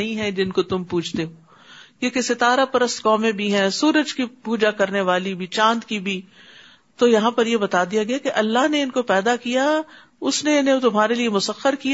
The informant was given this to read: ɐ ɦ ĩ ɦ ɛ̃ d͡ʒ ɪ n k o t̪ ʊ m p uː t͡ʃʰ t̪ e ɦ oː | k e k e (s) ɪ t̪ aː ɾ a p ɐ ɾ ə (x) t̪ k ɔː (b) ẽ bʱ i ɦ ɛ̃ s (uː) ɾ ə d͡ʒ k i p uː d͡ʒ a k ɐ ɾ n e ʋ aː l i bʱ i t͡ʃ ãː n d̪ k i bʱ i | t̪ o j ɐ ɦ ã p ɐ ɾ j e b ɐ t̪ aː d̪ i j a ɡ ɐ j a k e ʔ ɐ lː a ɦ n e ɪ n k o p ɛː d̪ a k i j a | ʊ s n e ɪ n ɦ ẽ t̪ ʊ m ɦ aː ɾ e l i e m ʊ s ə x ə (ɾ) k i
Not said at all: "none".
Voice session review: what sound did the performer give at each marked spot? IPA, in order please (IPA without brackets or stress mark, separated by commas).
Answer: s, s, m, uː, ɾ